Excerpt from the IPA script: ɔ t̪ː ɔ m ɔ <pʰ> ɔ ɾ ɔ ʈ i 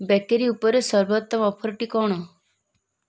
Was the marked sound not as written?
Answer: no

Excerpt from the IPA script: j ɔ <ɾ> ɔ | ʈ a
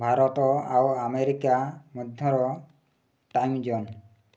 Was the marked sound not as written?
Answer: no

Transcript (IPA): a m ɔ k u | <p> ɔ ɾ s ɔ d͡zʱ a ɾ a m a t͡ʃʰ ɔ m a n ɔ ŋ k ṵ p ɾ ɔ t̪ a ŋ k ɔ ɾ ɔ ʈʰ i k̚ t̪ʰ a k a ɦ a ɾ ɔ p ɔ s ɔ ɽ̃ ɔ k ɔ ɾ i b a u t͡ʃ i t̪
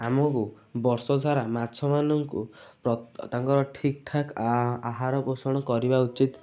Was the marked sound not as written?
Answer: yes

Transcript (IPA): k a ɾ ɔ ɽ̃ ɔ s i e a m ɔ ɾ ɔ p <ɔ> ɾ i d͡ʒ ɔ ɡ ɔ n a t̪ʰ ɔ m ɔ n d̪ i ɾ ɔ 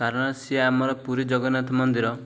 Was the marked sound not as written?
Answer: yes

